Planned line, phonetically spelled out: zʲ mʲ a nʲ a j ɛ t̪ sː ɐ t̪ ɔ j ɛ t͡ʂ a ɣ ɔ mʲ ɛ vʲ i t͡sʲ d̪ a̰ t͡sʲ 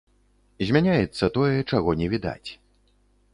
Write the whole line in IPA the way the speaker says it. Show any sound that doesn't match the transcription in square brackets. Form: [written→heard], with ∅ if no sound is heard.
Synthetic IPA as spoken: zʲ mʲ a nʲ a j ɛ t̪ sː ɐ t̪ ɔ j ɛ t͡ʂ a ɣ ɔ [mʲ→nʲ] ɛ vʲ i [t͡sʲ→∅] d̪ a̰ t͡sʲ